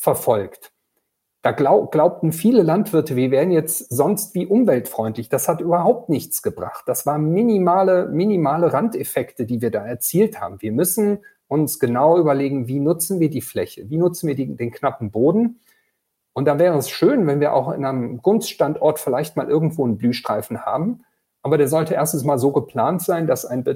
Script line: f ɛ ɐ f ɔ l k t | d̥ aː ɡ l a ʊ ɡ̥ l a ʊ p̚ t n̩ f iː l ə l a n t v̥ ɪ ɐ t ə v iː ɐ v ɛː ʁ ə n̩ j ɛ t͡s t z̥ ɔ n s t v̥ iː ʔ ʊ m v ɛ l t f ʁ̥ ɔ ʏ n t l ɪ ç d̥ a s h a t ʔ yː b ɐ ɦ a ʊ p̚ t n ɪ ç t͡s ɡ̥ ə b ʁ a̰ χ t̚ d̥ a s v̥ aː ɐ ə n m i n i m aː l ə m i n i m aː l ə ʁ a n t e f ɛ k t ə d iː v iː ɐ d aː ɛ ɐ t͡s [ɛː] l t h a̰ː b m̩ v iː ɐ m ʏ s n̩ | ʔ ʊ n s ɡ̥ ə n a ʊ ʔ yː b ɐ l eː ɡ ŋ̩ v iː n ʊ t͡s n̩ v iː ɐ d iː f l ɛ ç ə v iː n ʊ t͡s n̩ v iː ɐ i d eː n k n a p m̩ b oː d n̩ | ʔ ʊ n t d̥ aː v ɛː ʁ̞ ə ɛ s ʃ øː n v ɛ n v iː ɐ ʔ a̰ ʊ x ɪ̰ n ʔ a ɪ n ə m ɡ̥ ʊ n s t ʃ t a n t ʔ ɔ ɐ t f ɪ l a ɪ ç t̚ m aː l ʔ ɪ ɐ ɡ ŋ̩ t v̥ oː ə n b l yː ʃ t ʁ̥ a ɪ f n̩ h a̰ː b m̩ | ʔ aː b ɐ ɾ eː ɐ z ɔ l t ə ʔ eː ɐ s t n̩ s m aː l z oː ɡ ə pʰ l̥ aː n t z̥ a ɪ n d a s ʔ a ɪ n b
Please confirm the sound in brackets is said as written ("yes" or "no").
no